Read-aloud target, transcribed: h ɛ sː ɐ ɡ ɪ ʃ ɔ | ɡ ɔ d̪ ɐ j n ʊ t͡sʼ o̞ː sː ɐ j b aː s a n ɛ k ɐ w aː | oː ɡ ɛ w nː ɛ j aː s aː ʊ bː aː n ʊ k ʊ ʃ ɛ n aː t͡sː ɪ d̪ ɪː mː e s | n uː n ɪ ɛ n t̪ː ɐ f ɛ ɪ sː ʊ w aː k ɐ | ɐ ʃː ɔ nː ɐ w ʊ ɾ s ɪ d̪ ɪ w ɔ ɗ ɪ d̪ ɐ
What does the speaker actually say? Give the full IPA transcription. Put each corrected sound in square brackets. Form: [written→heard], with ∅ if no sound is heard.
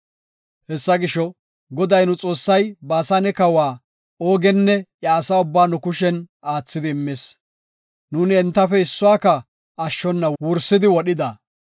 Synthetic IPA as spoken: h ɛ sː ɐ ɡ ɪ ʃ ɔ | ɡ ɔ d̪ ɐ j n ʊ t͡sʼ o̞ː sː ɐ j b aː s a n ɛ k ɐ w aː | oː ɡ ɛ [w→∅] nː ɛ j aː s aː ʊ bː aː n ʊ k ʊ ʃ ɛ n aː t͡sː ɪ d̪ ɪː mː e s | n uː n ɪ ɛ n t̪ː ɐ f ɛ ɪ sː ʊ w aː k ɐ | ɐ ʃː ɔ nː ɐ w ʊ ɾ s ɪ d̪ ɪ w ɔ ɗ ɪ d̪ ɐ

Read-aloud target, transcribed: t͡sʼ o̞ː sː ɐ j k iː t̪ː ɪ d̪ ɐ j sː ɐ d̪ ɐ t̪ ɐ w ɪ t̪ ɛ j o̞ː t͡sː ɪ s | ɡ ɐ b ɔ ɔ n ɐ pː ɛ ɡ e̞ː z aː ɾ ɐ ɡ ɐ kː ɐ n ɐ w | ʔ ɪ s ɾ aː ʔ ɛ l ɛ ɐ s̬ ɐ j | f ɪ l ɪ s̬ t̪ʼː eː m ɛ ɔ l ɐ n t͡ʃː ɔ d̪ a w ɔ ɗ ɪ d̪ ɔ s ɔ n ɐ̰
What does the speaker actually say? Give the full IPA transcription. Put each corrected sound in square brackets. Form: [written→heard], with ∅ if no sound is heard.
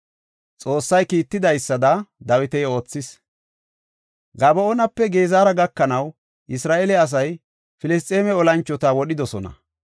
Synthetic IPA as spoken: t͡sʼ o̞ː sː ɐ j k iː t̪ː ɪ d̪ ɐ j sː ɐ d̪ ɐ [t̪→d̪] ɐ w ɪ t̪ ɛ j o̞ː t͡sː ɪ s | ɡ ɐ b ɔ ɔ n ɐ pː ɛ ɡ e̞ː z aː ɾ ɐ ɡ ɐ kː ɐ n ɐ w | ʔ ɪ s ɾ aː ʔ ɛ l ɛ ɐ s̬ ɐ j | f ɪ l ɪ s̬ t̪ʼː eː m ɛ ɔ l ɐ n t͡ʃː ɔ [d̪→t̪] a w ɔ ɗ ɪ d̪ ɔ s ɔ n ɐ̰

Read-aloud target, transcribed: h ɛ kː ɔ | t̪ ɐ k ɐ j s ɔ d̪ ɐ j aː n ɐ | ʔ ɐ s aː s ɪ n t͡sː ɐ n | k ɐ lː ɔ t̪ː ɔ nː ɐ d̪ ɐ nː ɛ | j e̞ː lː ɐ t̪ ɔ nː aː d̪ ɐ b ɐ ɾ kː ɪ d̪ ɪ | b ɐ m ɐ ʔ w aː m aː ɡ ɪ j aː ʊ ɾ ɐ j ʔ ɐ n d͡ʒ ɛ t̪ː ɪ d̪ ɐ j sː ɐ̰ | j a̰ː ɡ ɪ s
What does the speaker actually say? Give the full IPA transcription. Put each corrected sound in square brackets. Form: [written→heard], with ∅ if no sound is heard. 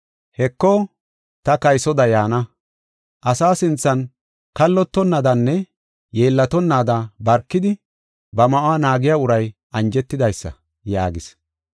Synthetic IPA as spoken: h ɛ kː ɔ | t̪ ɐ k ɐ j s ɔ d̪ ɐ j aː n ɐ | ʔ ɐ s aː s ɪ n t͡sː ɐ n | k ɐ lː ɔ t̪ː ɔ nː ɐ d̪ ɐ nː ɛ | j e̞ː lː ɐ t̪ ɔ nː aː d̪ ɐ b ɐ ɾ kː ɪ d̪ ɪ | b ɐ m ɐ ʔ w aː [m→n] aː ɡ ɪ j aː ʊ ɾ ɐ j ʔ ɐ n d͡ʒ ɛ t̪ː ɪ d̪ ɐ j sː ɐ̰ | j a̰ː ɡ ɪ s

